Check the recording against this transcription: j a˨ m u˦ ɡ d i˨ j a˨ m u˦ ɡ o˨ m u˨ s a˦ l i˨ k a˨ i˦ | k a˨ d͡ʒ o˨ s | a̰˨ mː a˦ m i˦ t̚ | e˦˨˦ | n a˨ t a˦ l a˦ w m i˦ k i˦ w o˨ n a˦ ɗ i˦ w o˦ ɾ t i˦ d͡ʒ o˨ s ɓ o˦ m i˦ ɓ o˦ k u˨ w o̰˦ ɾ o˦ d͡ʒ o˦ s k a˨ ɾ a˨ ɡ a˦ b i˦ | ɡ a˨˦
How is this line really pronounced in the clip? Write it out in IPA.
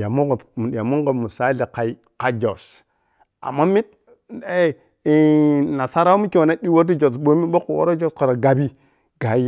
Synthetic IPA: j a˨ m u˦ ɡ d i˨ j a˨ m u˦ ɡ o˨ m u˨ s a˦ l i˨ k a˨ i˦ | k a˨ d͡ʒ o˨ s | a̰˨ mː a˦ m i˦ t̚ | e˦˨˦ | n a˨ s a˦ ɾ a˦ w m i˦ k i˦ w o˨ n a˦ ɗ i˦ w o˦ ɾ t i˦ d͡ʒ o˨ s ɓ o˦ m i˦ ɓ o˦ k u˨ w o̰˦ ɾ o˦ d͡ʒ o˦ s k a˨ ɾ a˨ ɡ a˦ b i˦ | ɡ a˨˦

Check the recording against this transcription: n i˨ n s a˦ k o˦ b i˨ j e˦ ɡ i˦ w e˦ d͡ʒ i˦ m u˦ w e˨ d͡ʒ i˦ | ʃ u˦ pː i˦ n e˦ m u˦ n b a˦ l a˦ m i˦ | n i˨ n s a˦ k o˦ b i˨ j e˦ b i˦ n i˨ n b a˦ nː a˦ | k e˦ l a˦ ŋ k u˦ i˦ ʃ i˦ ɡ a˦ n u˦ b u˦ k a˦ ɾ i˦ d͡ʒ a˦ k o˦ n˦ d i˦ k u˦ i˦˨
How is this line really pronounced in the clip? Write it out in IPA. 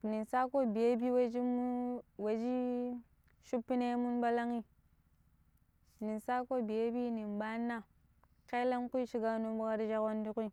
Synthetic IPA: n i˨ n s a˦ k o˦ b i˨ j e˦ b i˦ w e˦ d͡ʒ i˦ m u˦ w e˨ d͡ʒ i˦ | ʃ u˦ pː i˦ n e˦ m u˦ n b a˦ l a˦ ŋ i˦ | n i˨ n s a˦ k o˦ b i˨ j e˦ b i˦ n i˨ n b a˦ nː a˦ | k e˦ l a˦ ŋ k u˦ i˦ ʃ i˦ ɡ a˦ n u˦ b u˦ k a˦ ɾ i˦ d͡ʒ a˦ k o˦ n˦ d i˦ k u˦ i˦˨

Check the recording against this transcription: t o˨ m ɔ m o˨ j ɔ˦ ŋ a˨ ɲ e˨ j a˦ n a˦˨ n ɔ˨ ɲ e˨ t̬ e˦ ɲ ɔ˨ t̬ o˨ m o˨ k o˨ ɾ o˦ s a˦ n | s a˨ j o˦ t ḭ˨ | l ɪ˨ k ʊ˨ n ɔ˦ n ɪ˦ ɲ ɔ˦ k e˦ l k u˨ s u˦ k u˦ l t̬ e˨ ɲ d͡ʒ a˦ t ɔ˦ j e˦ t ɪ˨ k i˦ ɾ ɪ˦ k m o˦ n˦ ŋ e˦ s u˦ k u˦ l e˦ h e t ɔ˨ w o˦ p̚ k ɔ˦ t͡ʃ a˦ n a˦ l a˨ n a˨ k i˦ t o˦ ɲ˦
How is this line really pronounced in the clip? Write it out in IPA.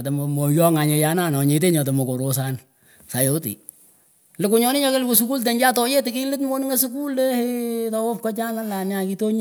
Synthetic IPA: t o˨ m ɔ m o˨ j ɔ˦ ŋ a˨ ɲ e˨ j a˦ n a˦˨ n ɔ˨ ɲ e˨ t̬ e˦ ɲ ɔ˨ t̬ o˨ m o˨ k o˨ ɾ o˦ s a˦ n | s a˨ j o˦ t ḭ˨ | l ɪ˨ k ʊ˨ ɲ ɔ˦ n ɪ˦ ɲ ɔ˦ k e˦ l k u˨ s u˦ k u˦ l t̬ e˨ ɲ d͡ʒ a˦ t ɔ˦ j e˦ t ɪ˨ k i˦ l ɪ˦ t m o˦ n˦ ŋ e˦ s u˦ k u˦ l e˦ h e t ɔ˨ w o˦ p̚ k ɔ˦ t͡ʃ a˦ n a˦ l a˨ n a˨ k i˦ t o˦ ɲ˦

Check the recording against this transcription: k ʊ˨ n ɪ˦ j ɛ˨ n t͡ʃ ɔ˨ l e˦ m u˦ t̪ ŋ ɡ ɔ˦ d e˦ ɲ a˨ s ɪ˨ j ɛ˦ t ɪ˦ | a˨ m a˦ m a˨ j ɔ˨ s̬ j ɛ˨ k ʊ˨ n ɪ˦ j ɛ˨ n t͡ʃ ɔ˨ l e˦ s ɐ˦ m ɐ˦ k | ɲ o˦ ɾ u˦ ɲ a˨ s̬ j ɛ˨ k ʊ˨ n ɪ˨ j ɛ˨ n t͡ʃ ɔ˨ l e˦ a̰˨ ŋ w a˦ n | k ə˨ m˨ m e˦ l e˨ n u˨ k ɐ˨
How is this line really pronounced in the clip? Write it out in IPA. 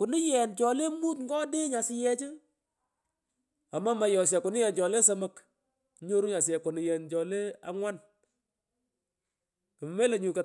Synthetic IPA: k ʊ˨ n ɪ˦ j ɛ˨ n t͡ʃ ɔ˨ l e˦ m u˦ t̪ ŋ ɡ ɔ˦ d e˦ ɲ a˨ s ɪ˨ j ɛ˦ t͡ʃ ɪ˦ | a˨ m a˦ m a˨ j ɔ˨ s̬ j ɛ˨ k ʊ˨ n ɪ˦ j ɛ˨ n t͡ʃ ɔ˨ l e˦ s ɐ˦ m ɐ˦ k | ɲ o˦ ɾ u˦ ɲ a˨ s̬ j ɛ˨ k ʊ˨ n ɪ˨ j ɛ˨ n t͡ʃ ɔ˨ l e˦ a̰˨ ŋ w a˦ n | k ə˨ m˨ m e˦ l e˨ ɲ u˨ k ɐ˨

